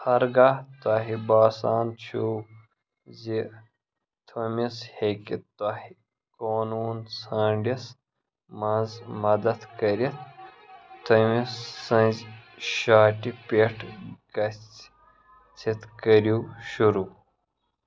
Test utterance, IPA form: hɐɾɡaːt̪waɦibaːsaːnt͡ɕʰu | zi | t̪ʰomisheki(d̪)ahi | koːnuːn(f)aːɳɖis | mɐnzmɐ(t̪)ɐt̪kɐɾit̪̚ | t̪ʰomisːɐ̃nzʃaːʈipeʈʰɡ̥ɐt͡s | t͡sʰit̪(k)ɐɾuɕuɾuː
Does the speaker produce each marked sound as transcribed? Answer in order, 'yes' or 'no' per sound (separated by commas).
no, no, no, yes